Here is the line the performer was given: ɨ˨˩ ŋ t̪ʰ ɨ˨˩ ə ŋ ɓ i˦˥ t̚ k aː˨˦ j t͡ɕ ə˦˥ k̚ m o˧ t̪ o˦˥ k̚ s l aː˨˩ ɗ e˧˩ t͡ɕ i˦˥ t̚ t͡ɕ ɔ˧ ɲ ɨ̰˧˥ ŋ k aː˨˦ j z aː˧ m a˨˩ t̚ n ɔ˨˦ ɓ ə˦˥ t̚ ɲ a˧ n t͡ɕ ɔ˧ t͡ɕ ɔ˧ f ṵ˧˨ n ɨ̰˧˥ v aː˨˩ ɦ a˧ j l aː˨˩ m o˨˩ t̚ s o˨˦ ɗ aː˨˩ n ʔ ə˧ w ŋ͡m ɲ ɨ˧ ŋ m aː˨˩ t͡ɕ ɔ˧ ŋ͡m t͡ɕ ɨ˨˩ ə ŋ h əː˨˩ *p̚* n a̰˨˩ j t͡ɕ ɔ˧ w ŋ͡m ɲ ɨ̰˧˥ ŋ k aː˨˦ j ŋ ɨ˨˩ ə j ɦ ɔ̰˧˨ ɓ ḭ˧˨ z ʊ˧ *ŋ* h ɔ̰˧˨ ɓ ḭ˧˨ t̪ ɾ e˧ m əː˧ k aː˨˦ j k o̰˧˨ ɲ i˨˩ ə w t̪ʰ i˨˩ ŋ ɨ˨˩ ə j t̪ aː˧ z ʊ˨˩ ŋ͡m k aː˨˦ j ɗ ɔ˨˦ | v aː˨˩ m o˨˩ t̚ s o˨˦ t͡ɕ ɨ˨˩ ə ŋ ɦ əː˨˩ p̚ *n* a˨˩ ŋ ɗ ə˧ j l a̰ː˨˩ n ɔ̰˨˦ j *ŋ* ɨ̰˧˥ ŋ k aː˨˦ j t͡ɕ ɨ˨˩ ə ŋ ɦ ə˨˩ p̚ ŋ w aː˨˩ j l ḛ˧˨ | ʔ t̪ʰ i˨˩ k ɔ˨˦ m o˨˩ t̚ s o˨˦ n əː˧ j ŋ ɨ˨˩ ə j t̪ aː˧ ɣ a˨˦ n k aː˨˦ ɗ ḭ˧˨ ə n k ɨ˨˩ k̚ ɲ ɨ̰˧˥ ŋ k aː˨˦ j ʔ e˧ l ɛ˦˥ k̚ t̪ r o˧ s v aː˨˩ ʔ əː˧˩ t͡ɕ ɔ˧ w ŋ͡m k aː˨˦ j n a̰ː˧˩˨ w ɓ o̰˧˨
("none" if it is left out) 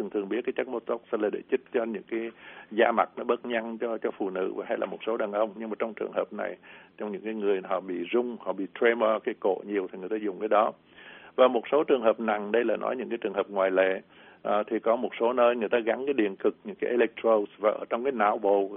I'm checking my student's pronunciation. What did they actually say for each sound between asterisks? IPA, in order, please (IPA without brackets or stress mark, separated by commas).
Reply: p̚, ŋ͡m, n, ɲ